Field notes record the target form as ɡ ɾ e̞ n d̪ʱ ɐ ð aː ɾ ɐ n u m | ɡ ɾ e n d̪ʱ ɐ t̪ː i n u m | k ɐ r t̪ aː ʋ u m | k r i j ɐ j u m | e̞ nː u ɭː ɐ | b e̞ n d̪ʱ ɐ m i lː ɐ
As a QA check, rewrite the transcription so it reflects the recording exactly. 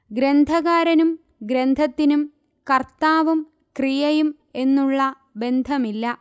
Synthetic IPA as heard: ɡ ɾ e̞ n d̪ʱ ɐ ɣ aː ɾ ɐ n u m | ɡ ɾ e n d̪ʱ ɐ t̪ː i n u m | k ɐ r t̪ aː ʋ u m | k r i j ɐ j u m | e̞ nː u ɭː ɐ | b e̞ n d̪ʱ ɐ m i lː ɐ

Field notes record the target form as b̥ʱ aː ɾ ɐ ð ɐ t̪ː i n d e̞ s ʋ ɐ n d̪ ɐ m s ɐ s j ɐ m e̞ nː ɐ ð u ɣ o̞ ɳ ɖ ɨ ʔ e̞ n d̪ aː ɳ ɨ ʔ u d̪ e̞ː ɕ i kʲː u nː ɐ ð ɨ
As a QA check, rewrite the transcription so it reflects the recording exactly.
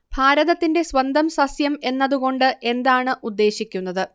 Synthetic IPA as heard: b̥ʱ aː ɾ ɐ ð ɐ t̪ː i n d e̞ s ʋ ɐ n d̪ ɐ m s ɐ s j ɐ m e̞ nː ɐ ð u ɣ o̞ ɳ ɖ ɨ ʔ e̞ n d̪ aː ɳ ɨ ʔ u d̪ː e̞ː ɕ i kʲː u nː ɐ ð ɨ

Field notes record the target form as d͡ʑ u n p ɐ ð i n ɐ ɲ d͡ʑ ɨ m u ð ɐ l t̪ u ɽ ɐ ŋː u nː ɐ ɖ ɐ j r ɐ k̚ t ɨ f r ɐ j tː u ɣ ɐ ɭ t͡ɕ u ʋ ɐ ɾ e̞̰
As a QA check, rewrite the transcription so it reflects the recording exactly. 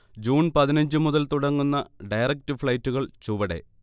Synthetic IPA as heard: d͡ʑ uː n p ɐ ð i n ɐ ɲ d͡ʑ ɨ m u ð ɐ l t̪ u ɽ ɐ ŋː u nː ɐ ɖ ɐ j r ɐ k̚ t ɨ f ɭ ɐ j tː u ɣ ɐ ɭ t͡ɕ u ʋ ɐ ɽ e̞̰

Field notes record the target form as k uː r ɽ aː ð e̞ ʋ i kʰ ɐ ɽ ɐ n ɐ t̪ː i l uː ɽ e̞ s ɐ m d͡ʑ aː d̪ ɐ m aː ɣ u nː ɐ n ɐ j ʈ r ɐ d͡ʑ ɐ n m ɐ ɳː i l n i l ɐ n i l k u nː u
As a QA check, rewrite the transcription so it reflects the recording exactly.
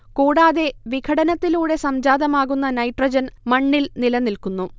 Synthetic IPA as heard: k uː ɽ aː ð e̞ ʋ i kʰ ɐ ɽ ɐ n ɐ t̪ː i l uː ɽ e̞ s ɐ m d͡ʑ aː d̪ ɐ m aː ɣ u nː ɐ n ɐ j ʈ r ɐ d͡ʑ ɐ n m ɐ ɳː i l n i l ɐ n i l k u nː u

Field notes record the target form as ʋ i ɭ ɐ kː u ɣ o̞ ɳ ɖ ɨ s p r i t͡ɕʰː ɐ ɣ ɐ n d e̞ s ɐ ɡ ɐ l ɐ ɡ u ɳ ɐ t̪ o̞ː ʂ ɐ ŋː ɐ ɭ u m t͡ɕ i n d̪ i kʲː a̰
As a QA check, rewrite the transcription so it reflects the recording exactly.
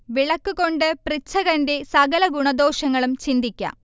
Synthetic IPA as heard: ʋ i ɭ ɐ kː u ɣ o̞ ɳ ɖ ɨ p r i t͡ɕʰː ɐ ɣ ɐ n d e̞ s ɐ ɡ ɐ l ɐ ɡ u ɳ ɐ d̪ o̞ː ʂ ɐ ŋː ɐ ɭ u m t͡ɕ i n d̪ i kʲː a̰

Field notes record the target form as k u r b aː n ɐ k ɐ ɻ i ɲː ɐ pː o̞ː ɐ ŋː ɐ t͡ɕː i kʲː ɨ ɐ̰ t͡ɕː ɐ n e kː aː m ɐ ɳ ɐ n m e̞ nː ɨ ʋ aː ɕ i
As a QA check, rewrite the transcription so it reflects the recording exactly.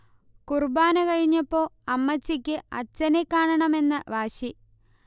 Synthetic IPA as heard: k u r b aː n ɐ k ɐ ɻ i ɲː ɐ pː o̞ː ɐ mː ɐ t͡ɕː i kʲː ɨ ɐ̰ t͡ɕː ɐ n e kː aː ɳ ɐ ɳ ɐ m e̞ nː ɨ ʋ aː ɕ i

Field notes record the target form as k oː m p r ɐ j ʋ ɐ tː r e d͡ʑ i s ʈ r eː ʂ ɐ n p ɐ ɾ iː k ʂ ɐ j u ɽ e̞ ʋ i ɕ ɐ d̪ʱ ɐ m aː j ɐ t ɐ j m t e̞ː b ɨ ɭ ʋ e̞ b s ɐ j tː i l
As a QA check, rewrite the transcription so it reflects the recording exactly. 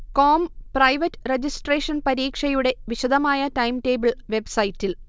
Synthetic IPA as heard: k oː m p r ɐ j ʋ ɐ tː r e d͡ʑ i s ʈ r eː ʂ ɐ n p ɐ ɾ iː k ʂ ɐ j u ɽ e̞ ʋ i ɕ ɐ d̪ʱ ɐ m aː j ɐ t ɐ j m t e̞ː b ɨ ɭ ʋ e̞ b s ɐ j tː i l

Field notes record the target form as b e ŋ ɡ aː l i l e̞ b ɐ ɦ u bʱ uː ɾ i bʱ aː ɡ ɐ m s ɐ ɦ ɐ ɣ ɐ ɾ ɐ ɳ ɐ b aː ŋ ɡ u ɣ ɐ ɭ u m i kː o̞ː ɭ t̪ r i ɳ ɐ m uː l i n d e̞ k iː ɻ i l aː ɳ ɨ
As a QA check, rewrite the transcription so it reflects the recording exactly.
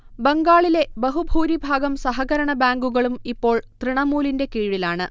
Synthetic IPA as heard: b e ŋ ɡ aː ɭ i l e̞ b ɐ ɦ u bʱ uː ɾ i bʱ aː ɡ ɐ m s ɐ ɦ ɐ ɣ ɐ ɾ ɐ ɳ ɐ b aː ŋ ɡ u ɣ ɐ ɭ u m i pː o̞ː ɭ t̪ r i ɳ ɐ m uː l i n d e̞ k iː ɻ i l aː ɳ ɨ

